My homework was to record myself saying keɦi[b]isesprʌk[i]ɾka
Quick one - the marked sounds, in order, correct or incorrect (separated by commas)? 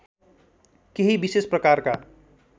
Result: correct, incorrect